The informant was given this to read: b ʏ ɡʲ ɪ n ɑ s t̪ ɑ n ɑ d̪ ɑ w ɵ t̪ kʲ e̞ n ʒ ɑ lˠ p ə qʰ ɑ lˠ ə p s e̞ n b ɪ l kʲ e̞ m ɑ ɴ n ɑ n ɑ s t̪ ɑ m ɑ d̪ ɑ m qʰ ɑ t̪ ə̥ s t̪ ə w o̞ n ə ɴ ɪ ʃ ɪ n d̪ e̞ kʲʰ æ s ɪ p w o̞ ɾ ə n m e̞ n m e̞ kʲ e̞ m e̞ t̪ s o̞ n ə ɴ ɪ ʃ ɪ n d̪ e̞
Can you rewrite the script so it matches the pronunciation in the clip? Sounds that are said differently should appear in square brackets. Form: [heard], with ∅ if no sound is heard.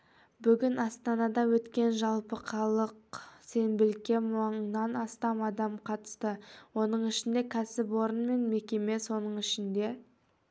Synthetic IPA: b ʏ ɡʲ ɪ n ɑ s t̪ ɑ n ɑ d̪ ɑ w ɵ t̪ kʲ e̞ n ʒ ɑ lˠ p ə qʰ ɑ lˠ ə [q] s e̞ n b ɪ l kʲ e̞ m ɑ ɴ n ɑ n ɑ s t̪ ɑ m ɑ d̪ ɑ m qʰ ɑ t̪ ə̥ s t̪ ə w o̞ n ə ɴ ɪ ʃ ɪ n d̪ e̞ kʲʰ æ s ɪ p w o̞ ɾ ə n m e̞ n m e̞ kʲ e̞ m e̞ [∅] s o̞ n ə ɴ ɪ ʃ ɪ n d̪ e̞

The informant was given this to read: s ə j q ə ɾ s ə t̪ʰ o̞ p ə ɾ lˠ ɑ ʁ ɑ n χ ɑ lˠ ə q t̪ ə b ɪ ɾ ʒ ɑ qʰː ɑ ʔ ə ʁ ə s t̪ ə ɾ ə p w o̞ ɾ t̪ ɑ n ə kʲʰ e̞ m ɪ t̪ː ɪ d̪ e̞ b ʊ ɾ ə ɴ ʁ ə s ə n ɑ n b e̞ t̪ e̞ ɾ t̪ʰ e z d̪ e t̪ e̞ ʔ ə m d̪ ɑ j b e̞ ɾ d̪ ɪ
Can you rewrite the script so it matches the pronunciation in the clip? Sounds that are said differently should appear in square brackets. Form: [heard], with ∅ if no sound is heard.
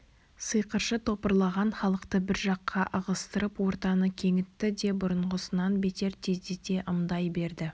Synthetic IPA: s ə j q ə ɾ [ʃ] ə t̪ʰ o̞ p ə ɾ lˠ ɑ ʁ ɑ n χ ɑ lˠ ə q t̪ ə b ɪ ɾ ʒ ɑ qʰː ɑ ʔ ə ʁ ə s t̪ ə ɾ ə p w o̞ ɾ t̪ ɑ n ə kʲʰ e̞ [ŋ] ɪ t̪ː ɪ d̪ e̞ b ʊ ɾ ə ɴ ʁ ə s ə n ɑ n b e̞ t̪ e̞ ɾ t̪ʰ e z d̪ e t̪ e̞ ʔ ə m d̪ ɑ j b e̞ ɾ d̪ ɪ

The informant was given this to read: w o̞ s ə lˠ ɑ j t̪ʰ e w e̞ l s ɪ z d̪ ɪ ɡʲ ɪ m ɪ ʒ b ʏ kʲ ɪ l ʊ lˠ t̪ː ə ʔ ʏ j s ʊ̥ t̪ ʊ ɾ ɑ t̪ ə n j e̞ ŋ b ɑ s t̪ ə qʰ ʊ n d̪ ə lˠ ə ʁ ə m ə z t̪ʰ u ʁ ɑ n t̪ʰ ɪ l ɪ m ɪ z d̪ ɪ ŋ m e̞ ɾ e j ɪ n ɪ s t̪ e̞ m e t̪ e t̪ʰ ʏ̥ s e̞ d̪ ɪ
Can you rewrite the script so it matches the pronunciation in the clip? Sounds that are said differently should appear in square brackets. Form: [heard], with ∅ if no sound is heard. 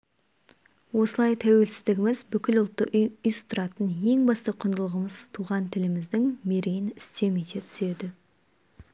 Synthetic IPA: w o̞ s ə lˠ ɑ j t̪ʰ [æ] w e̞ l s ɪ z d̪ ɪ ɡʲ ɪ m ɪ [z] b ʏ kʲ ɪ l ʊ lˠ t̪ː ə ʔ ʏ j s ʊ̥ t̪ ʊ ɾ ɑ t̪ ə n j e̞ ŋ b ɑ s t̪ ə qʰ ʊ n d̪ ə lˠ ə ʁ ə m ə z t̪ʰ u ʁ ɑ n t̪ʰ ɪ l ɪ m ɪ z d̪ ɪ ŋ m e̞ ɾ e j ɪ n ɪ s t̪ e̞ m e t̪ e t̪ʰ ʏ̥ s e̞ d̪ ɪ

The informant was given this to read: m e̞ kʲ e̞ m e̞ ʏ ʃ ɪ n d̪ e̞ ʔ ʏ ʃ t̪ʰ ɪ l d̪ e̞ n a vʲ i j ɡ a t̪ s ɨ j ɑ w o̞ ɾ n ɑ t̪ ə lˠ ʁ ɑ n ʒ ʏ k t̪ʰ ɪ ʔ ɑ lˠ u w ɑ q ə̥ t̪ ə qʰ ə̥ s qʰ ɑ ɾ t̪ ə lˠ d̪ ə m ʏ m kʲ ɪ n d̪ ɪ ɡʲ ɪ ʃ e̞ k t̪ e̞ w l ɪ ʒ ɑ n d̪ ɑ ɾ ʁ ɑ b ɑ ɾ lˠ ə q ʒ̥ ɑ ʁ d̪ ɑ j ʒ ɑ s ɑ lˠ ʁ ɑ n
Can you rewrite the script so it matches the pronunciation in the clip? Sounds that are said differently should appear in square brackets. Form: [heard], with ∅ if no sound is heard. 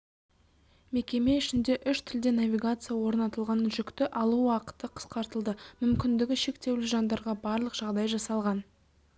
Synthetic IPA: m e̞ kʲ e̞ m e̞ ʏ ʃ ɪ n d̪ e̞ ʔ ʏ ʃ t̪ʰ ɪ l d̪ e̞ n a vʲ i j ɡ a t̪ s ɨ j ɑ w o̞ ɾ n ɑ t̪ ə lˠ ʁ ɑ n ʒ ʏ k [t̪] ɪ ʔ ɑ lˠ u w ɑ q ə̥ t̪ ə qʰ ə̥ s [q] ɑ ɾ t̪ ə lˠ d̪ ə m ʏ m kʲ ɪ n d̪ ɪ ɡʲ ɪ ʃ e̞ k t̪ e̞ w l ɪ ʒ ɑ n d̪ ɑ ɾ ʁ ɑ b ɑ ɾ lˠ ə q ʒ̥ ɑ ʁ d̪ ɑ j ʒ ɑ s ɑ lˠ ʁ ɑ n

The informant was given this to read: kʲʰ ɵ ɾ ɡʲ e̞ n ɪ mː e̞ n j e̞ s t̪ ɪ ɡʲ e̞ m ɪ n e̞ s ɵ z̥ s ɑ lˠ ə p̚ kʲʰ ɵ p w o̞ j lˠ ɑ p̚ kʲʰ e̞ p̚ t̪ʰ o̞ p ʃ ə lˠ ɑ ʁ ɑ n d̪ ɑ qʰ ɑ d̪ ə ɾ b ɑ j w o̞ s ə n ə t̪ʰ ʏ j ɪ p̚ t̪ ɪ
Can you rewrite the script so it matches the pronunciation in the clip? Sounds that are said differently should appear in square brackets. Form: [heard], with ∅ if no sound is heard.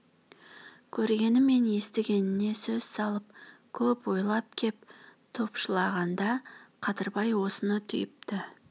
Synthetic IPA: kʲʰ ɵ ɾ ɡʲ e̞ n ɪ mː e̞ n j e̞ s t̪ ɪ ɡʲ e̞ [n] ɪ n e̞ s ɵ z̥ s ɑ lˠ ə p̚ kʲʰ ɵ p w o̞ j lˠ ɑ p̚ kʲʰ e̞ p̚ t̪ʰ o̞ p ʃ ə lˠ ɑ ʁ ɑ n d̪ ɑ qʰ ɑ [t̪] ə ɾ b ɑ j w o̞ s ə n ə t̪ʰ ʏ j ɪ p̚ t̪ ɪ

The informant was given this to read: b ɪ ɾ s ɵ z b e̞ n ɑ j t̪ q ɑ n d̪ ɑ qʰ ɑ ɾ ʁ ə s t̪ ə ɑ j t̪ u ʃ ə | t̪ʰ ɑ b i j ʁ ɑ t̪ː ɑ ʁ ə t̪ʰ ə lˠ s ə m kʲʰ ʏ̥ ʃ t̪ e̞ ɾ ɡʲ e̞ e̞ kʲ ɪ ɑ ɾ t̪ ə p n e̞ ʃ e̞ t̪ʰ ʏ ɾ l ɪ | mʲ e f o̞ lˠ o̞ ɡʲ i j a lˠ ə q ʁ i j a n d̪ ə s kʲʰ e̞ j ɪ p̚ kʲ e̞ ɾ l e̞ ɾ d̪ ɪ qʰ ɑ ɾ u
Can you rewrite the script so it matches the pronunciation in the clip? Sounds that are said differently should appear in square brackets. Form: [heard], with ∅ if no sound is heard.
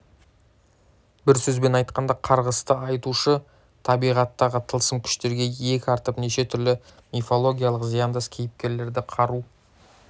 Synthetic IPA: b ɪ ɾ s ɵ z b e̞ n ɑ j t̪ q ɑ n d̪ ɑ qʰ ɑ ɾ ʁ ə s t̪ ə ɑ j t̪ u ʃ ə | t̪ʰ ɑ b i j ʁ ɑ t̪ː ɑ ʁ ə t̪ʰ ə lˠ s ə m kʲʰ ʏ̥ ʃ t̪ e̞ ɾ ɡʲ e̞ e̞ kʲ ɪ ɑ ɾ t̪ ə p n e̞ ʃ e̞ t̪ʰ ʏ ɾ l ɪ | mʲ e f o̞ lˠ o̞ ɡʲ i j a lˠ ə q [z] i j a n d̪ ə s kʲʰ e̞ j ɪ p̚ kʲ e̞ ɾ l e̞ ɾ d̪ ɪ qʰ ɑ ɾ u

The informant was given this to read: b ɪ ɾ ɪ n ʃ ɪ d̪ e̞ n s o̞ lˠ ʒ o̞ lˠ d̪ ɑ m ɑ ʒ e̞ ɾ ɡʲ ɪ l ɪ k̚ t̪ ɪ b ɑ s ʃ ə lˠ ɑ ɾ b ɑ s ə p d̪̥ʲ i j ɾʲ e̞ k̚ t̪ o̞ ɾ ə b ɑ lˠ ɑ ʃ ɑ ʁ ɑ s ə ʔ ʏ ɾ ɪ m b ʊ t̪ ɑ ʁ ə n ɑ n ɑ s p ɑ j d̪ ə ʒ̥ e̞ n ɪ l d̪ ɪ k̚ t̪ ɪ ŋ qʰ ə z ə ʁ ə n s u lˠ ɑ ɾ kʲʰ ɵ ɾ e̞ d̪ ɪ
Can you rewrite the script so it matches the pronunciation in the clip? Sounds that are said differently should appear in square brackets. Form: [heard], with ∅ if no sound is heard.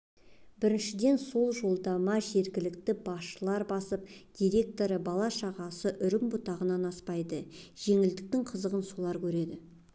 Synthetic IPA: b ɪ ɾ ɪ n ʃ ɪ d̪ e̞ n s o̞ lˠ ʒ o̞ lˠ d̪ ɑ m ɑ ʒ e̞ ɾ ɡʲ ɪ l ɪ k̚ t̪ ɪ b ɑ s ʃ ə lˠ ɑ ɾ b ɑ s ə p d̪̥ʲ i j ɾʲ e̞ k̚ t̪ o̞ ɾ ə b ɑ lˠ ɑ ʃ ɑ ʁ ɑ s ə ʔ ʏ ɾ ɪ m b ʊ t̪ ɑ ʁ ə n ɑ n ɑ s p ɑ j d̪ ə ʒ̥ e̞ [ŋ] ɪ l d̪ ɪ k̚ t̪ ɪ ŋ qʰ ə z ə ʁ ə n s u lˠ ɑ ɾ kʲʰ ɵ ɾ e̞ d̪ ɪ

